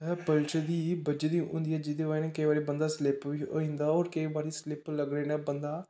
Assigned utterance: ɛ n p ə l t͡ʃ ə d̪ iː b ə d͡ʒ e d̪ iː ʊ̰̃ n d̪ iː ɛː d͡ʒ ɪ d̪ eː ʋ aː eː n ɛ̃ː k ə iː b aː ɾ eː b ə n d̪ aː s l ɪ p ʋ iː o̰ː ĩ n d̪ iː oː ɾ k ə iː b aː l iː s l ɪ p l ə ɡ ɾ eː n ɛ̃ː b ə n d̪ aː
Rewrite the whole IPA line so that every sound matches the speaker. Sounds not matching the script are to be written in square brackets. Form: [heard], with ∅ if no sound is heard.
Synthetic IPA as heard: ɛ [∅] p ə l t͡ʃ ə d̪ iː b ə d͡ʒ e d̪ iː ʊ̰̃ n d̪ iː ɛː d͡ʒ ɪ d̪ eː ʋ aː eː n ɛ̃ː k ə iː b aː ɾ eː b ə n d̪ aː s l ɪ p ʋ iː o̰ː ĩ n d̪ [aː] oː ɾ k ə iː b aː [ɾ] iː s l ɪ p l ə ɡ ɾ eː n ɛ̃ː b ə n d̪ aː